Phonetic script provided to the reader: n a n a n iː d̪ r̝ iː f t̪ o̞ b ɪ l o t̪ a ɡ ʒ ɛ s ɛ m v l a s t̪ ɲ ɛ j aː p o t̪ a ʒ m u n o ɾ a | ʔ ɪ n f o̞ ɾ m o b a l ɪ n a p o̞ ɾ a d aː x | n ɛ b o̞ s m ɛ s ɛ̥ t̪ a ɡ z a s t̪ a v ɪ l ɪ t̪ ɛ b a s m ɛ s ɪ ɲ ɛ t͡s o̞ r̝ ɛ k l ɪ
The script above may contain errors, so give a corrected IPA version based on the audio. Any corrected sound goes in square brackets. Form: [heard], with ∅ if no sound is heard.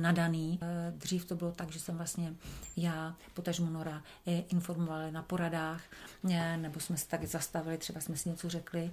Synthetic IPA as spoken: n a [d] a n iː d̪ r̝ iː f t̪ o̞ b ɪ l o t̪ a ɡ ʒ ɛ s ɛ m v l a s t̪ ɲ ɛ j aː p o t̪ a ʒ m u n o ɾ a | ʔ ɪ n f o̞ ɾ m o [v] a l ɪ n a p o̞ ɾ a d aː x | n ɛ b o̞ s m ɛ s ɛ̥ t̪ a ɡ z a s t̪ a v ɪ l ɪ t̪ ɛ b a s m ɛ s ɪ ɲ ɛ t͡s o̞ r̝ ɛ k l ɪ